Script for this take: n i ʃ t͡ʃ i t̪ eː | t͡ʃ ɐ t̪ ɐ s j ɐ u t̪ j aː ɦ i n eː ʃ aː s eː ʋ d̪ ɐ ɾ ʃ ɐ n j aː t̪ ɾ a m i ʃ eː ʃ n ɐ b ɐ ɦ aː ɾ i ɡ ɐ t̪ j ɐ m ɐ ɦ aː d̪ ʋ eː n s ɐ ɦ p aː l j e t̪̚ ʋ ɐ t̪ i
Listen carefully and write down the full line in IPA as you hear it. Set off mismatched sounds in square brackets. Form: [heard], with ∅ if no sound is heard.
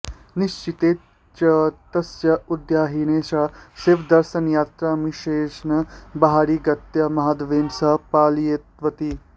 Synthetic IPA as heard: n i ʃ t͡ʃ i t̪ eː | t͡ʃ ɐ t̪ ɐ s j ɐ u [d̪] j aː ɦ i n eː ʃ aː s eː ʋ d̪ ɐ ɾ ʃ ɐ n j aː t̪ ɾ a m i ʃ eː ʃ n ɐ b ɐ ɦ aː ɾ i ɡ ɐ t̪ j ɐ m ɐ ɦ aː d̪ ʋ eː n s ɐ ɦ p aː l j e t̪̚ ʋ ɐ t̪ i